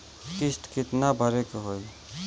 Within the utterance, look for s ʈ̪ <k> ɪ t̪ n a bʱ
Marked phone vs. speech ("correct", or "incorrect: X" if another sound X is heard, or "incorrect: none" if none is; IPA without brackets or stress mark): correct